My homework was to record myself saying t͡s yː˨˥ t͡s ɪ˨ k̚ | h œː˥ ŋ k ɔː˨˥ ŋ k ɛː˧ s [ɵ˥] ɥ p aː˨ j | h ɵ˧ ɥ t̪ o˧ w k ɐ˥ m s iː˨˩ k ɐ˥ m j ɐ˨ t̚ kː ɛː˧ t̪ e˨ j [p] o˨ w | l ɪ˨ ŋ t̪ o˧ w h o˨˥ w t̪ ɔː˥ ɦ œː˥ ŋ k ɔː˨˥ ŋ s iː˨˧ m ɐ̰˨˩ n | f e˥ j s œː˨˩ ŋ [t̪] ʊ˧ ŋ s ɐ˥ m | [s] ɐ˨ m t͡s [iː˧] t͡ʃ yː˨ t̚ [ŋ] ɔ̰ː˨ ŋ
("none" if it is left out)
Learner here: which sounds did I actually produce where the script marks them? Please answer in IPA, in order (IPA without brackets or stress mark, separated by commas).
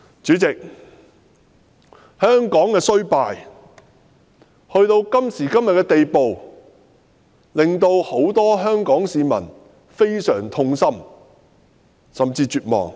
ɵ˥, p, t̪ʰ, s, iː˧, m